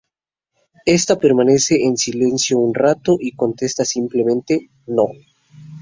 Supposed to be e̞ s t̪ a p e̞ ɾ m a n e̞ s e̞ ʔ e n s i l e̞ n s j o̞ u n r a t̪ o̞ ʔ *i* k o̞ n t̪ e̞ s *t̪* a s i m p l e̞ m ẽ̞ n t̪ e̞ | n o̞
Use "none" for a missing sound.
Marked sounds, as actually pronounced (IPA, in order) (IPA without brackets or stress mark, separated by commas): i, t̪